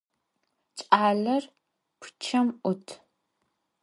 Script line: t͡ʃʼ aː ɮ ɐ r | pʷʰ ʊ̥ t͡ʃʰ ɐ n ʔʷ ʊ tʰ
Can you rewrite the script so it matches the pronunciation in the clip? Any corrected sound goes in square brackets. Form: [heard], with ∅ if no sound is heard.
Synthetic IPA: t͡ʃʼ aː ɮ ɐ r | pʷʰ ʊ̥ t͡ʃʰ ɐ [m] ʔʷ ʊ tʰ